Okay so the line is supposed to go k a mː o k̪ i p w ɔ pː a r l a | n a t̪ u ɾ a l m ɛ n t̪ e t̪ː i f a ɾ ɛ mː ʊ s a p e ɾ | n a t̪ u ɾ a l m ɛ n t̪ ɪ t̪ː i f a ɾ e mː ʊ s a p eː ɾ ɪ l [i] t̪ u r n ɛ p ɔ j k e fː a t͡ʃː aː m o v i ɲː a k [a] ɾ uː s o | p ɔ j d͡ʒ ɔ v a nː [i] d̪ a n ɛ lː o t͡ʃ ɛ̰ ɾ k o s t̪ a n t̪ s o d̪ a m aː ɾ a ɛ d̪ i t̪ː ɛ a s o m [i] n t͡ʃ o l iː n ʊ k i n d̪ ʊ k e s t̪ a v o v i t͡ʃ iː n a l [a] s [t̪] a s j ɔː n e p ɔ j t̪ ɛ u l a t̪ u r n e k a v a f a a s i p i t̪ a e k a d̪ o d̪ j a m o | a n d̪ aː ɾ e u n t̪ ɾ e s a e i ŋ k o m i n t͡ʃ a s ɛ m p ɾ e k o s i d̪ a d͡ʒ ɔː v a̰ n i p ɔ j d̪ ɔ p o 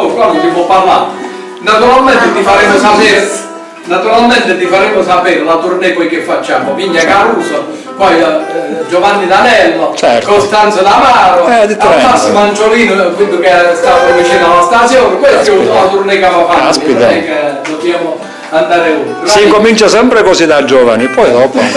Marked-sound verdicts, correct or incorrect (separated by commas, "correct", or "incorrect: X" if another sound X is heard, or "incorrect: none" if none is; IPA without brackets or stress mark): incorrect: a, correct, correct, incorrect: a, correct, correct